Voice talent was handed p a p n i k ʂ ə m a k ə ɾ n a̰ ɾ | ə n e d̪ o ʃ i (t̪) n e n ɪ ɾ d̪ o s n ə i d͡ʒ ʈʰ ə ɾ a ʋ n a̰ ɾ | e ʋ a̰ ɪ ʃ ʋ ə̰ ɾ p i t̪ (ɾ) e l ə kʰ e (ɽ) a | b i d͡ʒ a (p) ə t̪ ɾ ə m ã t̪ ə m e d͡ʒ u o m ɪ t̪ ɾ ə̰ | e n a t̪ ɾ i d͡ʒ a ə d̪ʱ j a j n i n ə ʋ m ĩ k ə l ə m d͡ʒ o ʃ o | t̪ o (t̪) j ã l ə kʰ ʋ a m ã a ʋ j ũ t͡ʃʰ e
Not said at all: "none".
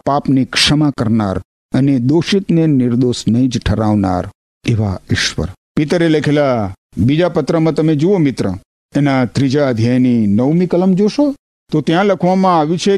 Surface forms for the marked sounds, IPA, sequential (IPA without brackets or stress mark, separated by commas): t̪, ɾ, l, p, t̪